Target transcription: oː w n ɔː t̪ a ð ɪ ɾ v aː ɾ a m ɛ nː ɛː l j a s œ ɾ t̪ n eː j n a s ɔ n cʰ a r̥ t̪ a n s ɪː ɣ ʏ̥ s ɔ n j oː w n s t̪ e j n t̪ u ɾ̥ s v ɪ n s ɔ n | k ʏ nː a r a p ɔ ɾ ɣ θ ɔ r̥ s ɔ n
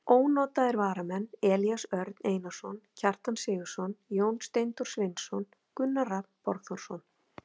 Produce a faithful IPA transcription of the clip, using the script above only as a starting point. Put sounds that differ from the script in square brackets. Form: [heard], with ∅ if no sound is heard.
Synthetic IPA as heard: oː w n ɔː t̪ a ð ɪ ɾ v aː ɾ a m ɛ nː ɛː l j a s œ ɾ t̪ n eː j n a s ɔ n cʰ a r̥ t̪ a n s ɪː ɣ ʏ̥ s ɔ n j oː w n s t̪ e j n t̪ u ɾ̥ s v ɪ n s ɔ n | k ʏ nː a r a p ɔ ɾ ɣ θ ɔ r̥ s ɔ n